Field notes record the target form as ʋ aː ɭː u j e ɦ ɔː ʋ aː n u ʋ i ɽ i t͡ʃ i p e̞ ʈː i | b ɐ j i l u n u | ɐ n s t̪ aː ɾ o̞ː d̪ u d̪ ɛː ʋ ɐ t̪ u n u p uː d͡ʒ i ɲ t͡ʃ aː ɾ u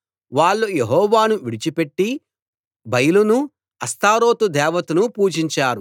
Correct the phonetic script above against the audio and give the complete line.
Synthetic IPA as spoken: ʋ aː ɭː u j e ɦ ɔː ʋ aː n u ʋ i ɽ i t͡ʃ i p e̞ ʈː i | b ɐ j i l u n u | ɐ s t̪ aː ɾ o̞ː t̪ u d̪ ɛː ʋ ɐ t̪ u n u p uː d͡ʒ i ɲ t͡ʃ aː ɾ u